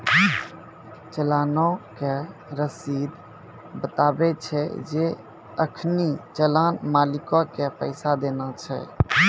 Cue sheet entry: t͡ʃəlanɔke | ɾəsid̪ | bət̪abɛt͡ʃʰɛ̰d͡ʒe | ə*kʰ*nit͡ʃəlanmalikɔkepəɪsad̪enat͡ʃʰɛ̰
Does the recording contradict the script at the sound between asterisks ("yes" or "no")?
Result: no